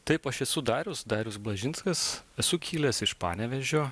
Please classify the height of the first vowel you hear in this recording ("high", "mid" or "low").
low